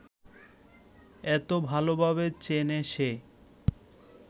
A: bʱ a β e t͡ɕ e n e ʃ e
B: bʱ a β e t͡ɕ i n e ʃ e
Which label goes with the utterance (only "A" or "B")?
A